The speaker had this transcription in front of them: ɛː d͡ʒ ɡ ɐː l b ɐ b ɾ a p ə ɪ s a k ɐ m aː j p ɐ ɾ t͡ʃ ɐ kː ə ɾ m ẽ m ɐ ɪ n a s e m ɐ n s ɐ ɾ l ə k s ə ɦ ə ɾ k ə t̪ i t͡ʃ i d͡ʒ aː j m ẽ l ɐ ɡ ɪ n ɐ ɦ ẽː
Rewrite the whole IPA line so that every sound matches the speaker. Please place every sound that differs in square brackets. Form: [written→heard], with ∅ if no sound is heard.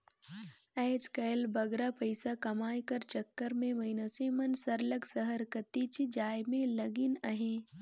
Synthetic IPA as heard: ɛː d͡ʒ [ɡ→k] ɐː l b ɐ [b→ɡ] ɾ a p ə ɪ s a k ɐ m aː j [p→k] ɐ ɾ t͡ʃ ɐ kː ə ɾ m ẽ m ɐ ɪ n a s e m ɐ n s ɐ ɾ l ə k s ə ɦ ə ɾ k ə t̪ i t͡ʃ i d͡ʒ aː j m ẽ l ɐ ɡ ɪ n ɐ ɦ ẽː

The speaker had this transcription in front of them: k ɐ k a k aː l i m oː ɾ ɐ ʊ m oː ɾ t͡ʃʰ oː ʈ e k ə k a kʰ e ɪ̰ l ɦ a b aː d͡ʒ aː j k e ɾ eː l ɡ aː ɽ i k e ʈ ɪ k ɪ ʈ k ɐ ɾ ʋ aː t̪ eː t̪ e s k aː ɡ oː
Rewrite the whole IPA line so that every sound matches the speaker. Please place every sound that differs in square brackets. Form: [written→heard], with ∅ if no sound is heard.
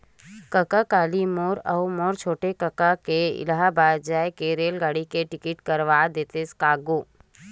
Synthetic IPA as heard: k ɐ k a k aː l i m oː ɾ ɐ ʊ m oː ɾ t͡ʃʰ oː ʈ e k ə k a [kʰ→k] e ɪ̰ l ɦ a b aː d͡ʒ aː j k e ɾ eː l ɡ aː ɽ i k e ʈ ɪ k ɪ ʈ k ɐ ɾ ʋ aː [t̪→d̪] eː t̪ e s k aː ɡ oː

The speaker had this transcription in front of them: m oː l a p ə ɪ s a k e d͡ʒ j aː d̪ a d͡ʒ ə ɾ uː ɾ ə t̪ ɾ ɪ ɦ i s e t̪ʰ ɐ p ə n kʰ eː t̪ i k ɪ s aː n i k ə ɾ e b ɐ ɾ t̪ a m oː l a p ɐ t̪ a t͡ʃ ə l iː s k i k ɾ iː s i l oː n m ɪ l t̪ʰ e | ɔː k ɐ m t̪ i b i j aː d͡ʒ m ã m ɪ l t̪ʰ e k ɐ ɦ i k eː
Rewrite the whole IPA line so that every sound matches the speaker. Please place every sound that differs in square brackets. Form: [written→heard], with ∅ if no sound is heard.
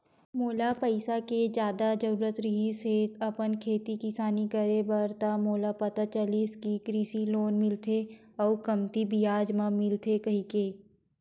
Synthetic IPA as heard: m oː l a p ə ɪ s a k e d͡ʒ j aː d̪ a d͡ʒ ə ɾ uː ɾ ə t̪ ɾ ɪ ɦ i s e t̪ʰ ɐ p ə n kʰ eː t̪ i k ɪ s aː n i k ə ɾ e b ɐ ɾ t̪ a m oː l a p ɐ t̪ a t͡ʃ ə l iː s k i k ɾ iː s i l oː n m ɪ l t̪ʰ e | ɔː k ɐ m t̪ i b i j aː d͡ʒ m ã m ɪ l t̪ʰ e k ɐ ɦ i k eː

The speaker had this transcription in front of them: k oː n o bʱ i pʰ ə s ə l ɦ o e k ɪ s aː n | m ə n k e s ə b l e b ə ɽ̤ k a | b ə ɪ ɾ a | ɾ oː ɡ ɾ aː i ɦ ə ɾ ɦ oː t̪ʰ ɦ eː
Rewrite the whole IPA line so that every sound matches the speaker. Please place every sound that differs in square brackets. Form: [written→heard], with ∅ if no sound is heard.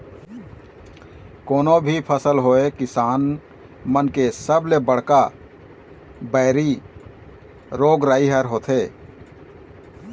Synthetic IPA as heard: k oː n o bʱ i pʰ ə s ə l ɦ o e k ɪ s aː n | m ə n k e s ə b l e b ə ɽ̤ k a | b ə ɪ ɾ [a→i] | ɾ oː ɡ ɾ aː i ɦ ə ɾ ɦ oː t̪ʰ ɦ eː

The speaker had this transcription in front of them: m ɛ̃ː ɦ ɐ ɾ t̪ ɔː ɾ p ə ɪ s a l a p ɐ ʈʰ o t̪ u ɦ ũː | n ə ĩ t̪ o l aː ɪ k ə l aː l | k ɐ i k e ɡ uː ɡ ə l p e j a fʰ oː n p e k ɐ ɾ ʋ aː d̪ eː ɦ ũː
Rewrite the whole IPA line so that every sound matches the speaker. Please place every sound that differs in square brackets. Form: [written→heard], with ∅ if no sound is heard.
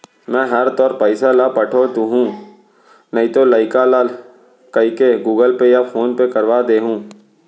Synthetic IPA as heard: m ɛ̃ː ɦ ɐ ɾ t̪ ɔː ɾ p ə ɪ s a l a p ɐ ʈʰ o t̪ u ɦ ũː | n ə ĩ t̪ o l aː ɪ k [ə→a] l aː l | k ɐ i k e ɡ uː ɡ ə l p e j a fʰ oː n p e k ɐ ɾ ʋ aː d̪ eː ɦ ũː

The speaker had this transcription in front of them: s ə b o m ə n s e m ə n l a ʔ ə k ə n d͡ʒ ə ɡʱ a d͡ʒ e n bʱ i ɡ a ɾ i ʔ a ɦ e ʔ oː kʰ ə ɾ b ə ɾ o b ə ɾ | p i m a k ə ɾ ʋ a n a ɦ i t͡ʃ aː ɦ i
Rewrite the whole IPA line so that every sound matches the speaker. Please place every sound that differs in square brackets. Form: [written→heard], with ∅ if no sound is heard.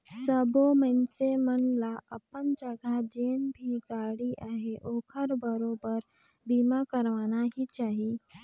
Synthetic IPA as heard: s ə b o m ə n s e m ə n l a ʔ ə [k→p] ə n d͡ʒ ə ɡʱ a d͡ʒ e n bʱ i ɡ a [ɾ→ɽ] i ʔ a ɦ e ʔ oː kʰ ə ɾ b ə ɾ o b ə ɾ | [p→b] i m a k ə ɾ ʋ a n a ɦ i t͡ʃ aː ɦ i

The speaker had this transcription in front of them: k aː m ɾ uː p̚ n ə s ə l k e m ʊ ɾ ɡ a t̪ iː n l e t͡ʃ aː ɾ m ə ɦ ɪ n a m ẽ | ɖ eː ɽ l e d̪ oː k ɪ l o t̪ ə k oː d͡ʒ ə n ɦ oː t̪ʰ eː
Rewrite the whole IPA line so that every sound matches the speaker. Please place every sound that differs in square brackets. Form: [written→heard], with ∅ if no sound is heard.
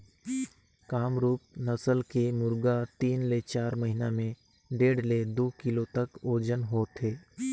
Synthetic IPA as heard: k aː m ɾ uː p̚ n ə s ə l k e m ʊ ɾ ɡ a t̪ iː n l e t͡ʃ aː ɾ m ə ɦ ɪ n a m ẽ | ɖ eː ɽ l e d̪ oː k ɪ l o t̪ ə k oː d͡ʒ ə n ɦ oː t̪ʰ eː

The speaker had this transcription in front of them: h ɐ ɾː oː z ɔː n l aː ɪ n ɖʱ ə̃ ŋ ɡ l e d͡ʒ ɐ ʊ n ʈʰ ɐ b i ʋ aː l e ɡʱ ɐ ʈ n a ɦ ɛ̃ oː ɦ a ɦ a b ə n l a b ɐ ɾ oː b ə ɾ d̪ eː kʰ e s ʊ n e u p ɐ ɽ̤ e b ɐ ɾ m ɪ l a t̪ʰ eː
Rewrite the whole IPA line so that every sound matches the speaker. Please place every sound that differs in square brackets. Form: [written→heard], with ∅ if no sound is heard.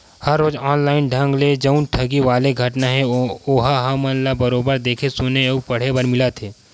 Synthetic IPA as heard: h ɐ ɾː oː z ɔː n l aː ɪ n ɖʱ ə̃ ŋ ɡ l e d͡ʒ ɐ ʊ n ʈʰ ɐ [b→ɡ] i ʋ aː l e ɡʱ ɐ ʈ n a ɦ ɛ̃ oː ɦ a ɦ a [b→m] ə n l a b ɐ ɾ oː b ə ɾ d̪ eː kʰ e s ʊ n e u p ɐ ɽ̤ e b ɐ ɾ m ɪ l a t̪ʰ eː

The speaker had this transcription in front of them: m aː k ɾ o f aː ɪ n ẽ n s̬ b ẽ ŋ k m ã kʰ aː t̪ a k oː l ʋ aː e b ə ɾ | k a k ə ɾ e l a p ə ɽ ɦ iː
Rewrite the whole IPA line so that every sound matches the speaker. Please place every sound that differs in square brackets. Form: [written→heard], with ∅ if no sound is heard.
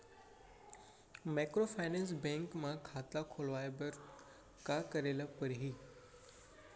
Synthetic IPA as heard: m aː k ɾ o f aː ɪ n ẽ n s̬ b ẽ ŋ k m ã kʰ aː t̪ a [k→kʰ] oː l ʋ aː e b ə ɾ | k a k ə ɾ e l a p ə [ɽ→ɾ] ɦ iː

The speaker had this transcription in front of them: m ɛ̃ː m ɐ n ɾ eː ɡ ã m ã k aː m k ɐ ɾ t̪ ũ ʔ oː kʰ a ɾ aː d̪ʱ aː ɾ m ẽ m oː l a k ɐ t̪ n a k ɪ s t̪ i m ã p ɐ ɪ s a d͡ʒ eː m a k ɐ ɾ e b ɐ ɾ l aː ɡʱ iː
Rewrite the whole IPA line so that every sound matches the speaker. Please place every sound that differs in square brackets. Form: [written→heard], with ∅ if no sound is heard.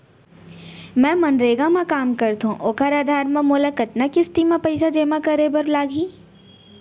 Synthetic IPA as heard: m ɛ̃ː m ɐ n ɾ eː ɡ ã m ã k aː m k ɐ ɾ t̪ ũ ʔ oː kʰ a ɾ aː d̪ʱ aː ɾ m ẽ m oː l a k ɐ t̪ n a k ɪ s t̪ i m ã p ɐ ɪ s a d͡ʒ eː m a k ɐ ɾ e b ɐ ɾ l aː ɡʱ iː

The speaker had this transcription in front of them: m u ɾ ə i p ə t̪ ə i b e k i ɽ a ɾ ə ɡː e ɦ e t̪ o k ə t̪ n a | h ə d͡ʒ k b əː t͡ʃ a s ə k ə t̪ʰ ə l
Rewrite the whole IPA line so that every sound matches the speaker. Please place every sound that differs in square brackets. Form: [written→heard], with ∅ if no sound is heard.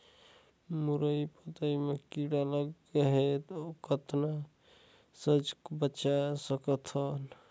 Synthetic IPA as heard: m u ɾ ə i p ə t̪ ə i [b→m] e k i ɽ a [ɾ→l] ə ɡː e ɦ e t̪ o k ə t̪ n a | [h→s] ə d͡ʒ k b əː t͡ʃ a s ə k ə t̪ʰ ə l

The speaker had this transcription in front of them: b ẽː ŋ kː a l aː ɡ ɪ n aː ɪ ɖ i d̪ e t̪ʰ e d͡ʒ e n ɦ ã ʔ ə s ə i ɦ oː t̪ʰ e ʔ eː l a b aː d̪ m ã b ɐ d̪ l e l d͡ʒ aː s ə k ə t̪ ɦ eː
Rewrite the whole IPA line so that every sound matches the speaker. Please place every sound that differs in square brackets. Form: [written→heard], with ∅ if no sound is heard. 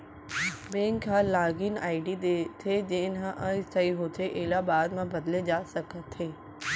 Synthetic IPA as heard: b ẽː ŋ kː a l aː ɡ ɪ n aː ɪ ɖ i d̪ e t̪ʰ e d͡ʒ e n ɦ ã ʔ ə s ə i ɦ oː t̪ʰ e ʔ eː l a b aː d̪ m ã b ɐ d̪ l e [l→∅] d͡ʒ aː s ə k ə t̪ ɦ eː

